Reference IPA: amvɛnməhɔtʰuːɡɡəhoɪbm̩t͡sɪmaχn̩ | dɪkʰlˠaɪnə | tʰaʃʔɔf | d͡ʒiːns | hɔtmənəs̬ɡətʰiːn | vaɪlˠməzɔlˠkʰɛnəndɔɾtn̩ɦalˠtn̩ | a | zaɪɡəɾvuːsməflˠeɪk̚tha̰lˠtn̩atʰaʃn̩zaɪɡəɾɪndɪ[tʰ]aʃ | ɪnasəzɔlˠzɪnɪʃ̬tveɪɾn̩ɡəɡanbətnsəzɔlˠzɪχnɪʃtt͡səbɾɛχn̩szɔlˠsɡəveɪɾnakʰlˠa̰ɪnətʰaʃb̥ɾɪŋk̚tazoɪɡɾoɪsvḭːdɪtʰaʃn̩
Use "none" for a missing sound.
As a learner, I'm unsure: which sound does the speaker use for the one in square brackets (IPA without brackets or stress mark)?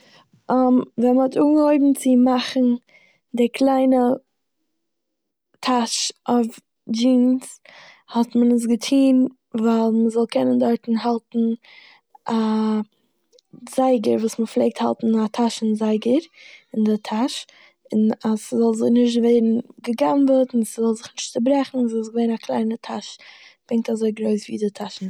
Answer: tʰ